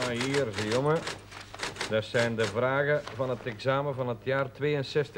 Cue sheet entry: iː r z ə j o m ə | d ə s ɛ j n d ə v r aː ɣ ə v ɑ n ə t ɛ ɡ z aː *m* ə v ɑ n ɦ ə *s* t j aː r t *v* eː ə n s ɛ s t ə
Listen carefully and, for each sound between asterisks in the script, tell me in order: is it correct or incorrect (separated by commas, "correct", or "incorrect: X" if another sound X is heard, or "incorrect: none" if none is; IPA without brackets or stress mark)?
correct, incorrect: none, incorrect: ʋ